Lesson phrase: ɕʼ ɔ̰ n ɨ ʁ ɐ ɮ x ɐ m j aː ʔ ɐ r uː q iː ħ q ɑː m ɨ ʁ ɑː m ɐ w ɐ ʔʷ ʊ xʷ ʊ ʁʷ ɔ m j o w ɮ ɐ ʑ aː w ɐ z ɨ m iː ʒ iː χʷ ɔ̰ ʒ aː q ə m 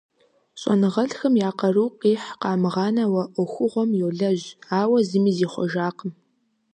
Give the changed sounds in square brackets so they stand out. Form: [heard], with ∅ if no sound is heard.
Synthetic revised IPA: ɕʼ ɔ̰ n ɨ ʁ ɐ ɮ x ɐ m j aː [q] ɐ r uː q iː ħ q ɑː m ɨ ʁ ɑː [n] ɐ w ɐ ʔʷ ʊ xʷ ʊ ʁʷ ɔ m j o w ɮ ɐ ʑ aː w ɐ z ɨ m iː [z] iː χʷ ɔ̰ ʒ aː q ə m